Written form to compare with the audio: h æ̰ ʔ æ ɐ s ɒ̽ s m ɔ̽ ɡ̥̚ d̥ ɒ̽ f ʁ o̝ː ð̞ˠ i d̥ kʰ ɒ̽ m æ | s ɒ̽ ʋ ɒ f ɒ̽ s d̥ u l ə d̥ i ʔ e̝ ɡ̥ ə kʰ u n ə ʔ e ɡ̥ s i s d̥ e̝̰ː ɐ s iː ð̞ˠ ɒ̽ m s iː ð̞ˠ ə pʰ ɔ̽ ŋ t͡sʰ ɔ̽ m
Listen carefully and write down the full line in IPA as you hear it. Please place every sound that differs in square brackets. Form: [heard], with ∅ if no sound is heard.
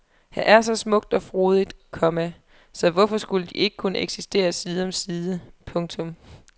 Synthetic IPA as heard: h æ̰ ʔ æ ɐ s ɒ̽ s m ɔ̽ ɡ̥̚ d̥ ɒ̽ f ʁ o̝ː ð̞ˠ i d̥ kʰ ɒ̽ m æ | s ɒ̽ ʋ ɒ f ɒ̽ s [ɡ̥] u l ə d̥ i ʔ e̝ ɡ̥ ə kʰ u n ə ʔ e ɡ̥ s i s d̥ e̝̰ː ɐ s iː ð̞ˠ ɒ̽ m s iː ð̞ˠ ə pʰ ɔ̽ ŋ t͡sʰ ɔ̽ m